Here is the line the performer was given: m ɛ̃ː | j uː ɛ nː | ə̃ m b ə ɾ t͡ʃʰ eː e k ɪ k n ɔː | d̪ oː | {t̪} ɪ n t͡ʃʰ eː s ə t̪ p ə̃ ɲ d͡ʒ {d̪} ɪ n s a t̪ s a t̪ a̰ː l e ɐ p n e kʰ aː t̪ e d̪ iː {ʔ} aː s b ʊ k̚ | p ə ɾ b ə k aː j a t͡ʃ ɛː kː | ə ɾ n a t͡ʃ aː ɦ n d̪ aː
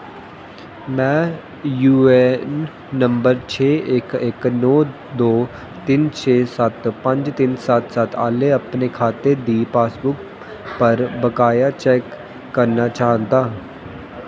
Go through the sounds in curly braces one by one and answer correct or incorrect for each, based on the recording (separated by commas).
correct, incorrect, incorrect